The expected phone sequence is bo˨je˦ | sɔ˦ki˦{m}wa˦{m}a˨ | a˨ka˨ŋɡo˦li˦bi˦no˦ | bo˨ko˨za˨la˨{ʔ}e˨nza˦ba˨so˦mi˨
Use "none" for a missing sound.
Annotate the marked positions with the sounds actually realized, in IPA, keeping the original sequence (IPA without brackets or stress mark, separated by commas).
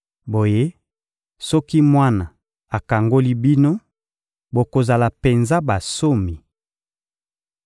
m, n, p